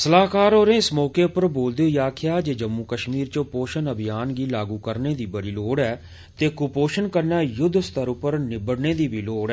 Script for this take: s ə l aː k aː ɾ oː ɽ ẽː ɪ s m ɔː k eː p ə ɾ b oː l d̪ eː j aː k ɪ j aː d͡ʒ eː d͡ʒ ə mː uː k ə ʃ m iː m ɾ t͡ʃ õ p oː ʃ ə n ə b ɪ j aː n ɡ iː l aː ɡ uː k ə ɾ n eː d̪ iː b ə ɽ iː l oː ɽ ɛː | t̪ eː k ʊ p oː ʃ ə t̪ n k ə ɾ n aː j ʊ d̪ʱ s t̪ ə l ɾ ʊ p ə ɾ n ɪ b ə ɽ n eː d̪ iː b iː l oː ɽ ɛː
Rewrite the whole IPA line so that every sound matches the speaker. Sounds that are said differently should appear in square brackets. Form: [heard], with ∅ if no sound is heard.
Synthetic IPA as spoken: s ə l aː k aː ɾ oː [ɾ] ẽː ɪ s m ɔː k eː p ə ɾ b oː l d̪ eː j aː [kʰ] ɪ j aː d͡ʒ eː d͡ʒ ə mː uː k ə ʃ m iː [∅] ɾ t͡ʃ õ p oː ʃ ə n ə b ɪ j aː n ɡ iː l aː ɡ uː k ə ɾ n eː d̪ iː b ə ɽ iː l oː ɽ ɛː | t̪ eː k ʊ p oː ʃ ə [∅] n k ə ɾ n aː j ʊ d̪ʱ s t̪ ə [∅] ɾ ʊ p ə ɾ n ɪ b ə ɽ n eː d̪ iː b iː l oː ɽ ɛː